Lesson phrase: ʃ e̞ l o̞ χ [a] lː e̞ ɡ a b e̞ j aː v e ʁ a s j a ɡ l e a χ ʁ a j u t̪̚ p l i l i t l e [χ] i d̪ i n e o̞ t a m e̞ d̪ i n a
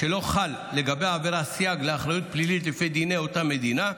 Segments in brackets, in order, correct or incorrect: correct, incorrect: f

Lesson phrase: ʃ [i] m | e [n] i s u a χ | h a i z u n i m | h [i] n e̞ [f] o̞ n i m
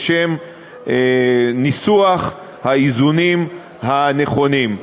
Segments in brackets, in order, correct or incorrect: incorrect: e, correct, incorrect: a, incorrect: χ

